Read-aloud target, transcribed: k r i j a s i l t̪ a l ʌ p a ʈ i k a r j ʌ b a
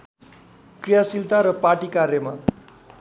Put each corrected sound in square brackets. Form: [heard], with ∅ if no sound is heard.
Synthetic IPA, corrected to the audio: k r i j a s i l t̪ a [ɾ] ʌ p a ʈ i k a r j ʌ [m] a